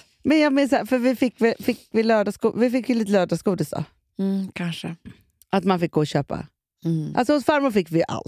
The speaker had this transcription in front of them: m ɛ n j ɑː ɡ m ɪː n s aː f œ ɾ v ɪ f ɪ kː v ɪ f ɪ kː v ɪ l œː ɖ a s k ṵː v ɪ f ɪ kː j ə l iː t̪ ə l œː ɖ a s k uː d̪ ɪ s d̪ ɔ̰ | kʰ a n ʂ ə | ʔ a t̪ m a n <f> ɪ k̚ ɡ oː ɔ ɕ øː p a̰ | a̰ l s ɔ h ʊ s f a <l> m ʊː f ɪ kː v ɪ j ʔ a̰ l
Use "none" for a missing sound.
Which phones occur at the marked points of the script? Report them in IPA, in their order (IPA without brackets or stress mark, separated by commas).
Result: f, ɾ